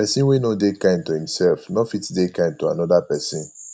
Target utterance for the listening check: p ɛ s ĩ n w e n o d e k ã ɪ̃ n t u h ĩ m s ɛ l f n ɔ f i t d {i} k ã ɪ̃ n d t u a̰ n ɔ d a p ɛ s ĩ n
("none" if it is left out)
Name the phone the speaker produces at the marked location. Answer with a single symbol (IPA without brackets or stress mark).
e